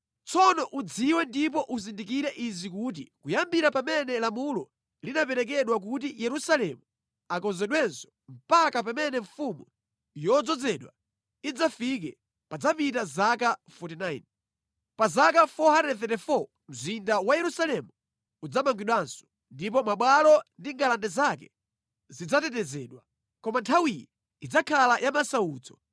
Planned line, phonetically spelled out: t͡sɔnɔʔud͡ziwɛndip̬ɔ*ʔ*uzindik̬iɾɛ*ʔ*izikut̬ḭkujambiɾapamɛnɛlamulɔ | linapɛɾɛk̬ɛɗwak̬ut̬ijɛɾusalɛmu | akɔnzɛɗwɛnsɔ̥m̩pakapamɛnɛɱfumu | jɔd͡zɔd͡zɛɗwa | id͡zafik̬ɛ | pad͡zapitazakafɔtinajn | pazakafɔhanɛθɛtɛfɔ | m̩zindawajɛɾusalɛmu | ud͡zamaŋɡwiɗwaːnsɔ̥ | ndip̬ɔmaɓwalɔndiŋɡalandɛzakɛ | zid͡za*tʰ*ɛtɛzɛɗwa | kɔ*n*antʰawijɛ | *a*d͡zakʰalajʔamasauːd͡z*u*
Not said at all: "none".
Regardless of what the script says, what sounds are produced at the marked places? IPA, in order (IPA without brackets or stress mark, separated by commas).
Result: ʔ, ʔ, t, m, i, ɔ